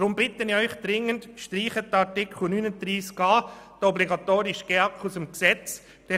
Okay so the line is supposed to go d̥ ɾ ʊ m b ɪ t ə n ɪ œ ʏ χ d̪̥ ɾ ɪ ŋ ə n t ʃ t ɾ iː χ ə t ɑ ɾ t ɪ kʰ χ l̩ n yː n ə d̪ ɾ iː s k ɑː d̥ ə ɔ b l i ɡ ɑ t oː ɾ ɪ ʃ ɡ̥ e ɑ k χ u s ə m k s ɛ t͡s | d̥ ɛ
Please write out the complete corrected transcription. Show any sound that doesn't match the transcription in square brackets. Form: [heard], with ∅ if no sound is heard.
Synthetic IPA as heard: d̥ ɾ ʊ m b ɪ t ə n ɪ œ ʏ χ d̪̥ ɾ ɪ ŋ ə n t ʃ t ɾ iː χ ə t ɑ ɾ t ɪ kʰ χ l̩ n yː n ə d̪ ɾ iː s k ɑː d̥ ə ɔ b l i ɡ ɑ t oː ɾ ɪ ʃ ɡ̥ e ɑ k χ u s ə m k s ɛ t͡s | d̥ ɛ